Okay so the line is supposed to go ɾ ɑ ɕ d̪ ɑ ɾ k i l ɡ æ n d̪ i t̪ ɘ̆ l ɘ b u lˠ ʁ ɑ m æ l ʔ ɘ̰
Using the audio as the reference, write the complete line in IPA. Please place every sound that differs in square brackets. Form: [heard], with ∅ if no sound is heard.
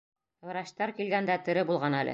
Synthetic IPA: ɾ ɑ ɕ [t̪] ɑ ɾ k i l ɡ æ n d̪ [æ] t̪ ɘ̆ [ɾ] ɘ b u lˠ ʁ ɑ [n] æ l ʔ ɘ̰